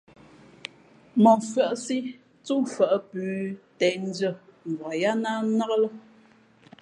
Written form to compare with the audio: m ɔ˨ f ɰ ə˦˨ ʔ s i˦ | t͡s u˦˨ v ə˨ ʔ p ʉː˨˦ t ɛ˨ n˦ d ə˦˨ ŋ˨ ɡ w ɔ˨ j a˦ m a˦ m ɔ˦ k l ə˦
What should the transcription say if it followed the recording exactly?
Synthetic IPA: m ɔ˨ f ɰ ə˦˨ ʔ s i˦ | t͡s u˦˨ f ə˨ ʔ p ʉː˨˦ t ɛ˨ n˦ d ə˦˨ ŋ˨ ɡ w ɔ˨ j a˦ n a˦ n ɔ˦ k l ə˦